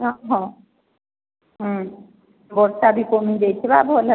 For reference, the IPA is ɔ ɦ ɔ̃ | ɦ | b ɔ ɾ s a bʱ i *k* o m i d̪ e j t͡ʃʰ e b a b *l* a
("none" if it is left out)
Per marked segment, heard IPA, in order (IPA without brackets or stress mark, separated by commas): k, l